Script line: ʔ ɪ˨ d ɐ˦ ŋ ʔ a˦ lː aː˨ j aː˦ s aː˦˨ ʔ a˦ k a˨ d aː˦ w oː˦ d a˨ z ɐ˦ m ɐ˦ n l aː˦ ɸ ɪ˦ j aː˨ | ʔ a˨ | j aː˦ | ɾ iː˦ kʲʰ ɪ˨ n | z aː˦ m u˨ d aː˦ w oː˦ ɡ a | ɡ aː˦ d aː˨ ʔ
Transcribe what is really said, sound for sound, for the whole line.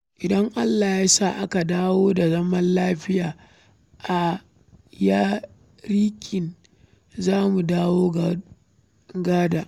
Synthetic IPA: ʔ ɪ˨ d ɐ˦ ŋ ʔ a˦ lː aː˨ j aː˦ s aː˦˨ ʔ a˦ k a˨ d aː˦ w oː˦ d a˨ z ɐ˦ m ɐ˦ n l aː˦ ɸ ɪ˦ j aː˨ | ʔ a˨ | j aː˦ | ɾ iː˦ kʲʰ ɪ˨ n | z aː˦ m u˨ d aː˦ w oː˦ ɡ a | ɡ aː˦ d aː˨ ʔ